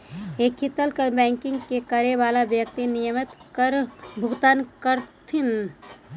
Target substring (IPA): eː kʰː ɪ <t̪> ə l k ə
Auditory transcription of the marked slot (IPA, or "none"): t̪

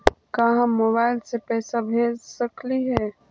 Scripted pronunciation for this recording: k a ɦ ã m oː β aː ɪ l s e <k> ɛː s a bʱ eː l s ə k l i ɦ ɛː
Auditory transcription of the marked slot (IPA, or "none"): p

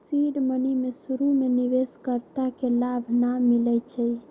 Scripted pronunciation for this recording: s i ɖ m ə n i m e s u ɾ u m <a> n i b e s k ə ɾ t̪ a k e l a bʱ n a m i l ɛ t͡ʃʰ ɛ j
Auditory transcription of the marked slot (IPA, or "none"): e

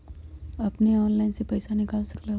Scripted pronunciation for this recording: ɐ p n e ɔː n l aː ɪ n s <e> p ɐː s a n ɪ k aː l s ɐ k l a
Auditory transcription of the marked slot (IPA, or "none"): e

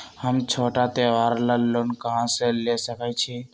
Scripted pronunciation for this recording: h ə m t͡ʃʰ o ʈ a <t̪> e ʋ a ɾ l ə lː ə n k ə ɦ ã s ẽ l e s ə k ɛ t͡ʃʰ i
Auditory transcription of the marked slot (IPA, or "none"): t̪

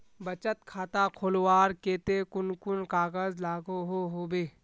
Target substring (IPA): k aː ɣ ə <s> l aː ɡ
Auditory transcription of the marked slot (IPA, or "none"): z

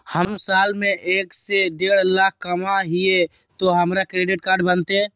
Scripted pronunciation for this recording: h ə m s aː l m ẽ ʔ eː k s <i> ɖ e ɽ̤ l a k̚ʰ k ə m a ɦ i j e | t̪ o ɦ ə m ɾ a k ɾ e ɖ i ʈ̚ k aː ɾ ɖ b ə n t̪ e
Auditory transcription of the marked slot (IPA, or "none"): e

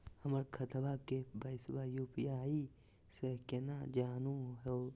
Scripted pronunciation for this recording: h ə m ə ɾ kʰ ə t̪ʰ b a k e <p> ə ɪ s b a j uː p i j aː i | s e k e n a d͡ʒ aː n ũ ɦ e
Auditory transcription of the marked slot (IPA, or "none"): b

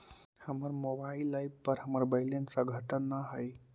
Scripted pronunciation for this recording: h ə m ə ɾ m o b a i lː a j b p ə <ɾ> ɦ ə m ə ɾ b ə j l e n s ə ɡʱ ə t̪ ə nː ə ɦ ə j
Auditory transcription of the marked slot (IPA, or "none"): ɾ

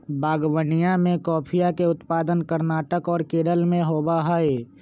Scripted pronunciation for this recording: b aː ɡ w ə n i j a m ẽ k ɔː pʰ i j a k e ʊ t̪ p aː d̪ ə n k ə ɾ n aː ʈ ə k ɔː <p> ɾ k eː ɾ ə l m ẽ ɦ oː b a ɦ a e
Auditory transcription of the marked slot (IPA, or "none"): none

